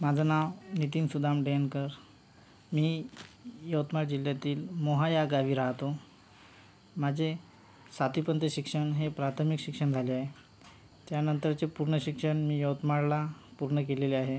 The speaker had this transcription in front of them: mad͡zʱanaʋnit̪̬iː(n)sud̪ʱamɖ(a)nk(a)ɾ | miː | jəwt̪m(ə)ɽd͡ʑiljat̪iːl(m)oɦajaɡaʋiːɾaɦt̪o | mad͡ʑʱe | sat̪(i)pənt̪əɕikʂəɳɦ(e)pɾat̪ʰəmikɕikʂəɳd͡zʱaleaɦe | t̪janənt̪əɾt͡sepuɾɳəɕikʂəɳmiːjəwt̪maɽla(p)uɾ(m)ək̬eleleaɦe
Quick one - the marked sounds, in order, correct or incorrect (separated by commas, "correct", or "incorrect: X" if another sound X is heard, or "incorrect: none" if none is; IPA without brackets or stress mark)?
correct, incorrect: e, incorrect: ə, incorrect: a, correct, correct, correct, correct, incorrect: ɳ